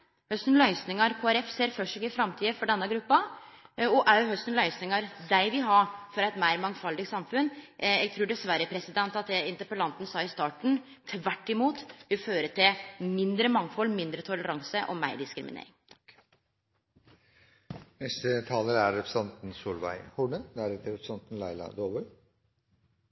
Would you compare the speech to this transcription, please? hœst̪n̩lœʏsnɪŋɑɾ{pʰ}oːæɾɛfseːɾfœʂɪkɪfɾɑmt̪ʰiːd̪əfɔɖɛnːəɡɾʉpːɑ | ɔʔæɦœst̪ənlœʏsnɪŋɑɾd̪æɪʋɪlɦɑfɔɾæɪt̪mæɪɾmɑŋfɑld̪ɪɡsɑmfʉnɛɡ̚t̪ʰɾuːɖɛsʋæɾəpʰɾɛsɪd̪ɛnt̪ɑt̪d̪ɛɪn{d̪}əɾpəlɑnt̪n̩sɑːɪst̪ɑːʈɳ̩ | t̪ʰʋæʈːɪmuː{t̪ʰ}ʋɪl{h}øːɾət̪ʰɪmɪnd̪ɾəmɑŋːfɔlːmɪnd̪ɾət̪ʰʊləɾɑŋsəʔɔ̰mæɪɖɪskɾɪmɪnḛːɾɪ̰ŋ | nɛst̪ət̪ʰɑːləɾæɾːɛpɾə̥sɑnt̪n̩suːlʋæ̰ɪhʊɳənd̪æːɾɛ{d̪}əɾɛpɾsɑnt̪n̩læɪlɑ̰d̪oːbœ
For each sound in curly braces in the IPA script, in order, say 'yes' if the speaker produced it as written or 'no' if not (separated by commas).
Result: no, no, no, no, no